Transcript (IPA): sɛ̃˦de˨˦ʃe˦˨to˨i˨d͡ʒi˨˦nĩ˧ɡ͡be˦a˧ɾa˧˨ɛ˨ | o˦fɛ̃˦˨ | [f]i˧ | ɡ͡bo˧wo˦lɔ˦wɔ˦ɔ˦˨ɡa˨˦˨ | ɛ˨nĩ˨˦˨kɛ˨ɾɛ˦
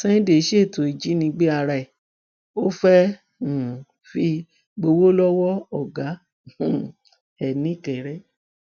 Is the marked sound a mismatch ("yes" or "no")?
no